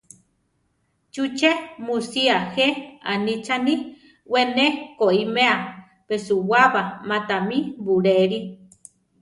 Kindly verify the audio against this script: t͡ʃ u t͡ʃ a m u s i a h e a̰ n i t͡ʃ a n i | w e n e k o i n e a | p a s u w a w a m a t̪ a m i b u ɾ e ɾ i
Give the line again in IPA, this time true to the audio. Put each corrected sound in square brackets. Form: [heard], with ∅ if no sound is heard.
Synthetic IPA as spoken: t͡ʃ u t͡ʃ [e] m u s i a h e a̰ n i t͡ʃ a n i | w e n e k o i [m] e a | p [e] s u w a [β] a m a t̪ a m i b u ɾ e ɾ i